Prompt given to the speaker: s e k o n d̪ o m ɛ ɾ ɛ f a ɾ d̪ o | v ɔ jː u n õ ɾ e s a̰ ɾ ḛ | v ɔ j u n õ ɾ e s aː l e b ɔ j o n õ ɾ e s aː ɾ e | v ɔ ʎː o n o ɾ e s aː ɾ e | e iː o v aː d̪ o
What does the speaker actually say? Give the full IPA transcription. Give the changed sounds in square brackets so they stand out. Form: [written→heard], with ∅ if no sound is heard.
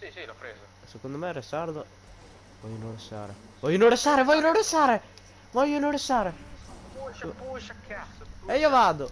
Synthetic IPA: s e k o n d̪ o m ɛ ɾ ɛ [f→s] a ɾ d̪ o | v ɔ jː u n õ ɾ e s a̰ ɾ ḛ | v ɔ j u n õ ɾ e s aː [l→ɾ] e [b→v] ɔ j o n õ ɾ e s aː ɾ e | v ɔ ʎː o n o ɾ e s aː ɾ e | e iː o v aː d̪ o